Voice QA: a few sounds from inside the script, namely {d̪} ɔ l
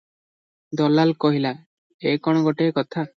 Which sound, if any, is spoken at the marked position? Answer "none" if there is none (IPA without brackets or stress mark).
d̪